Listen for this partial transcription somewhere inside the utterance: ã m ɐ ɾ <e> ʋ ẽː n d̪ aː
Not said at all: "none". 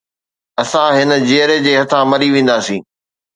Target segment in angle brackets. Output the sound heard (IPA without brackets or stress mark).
i